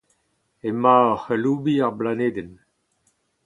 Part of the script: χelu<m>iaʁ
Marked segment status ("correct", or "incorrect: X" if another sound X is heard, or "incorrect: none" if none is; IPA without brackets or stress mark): incorrect: b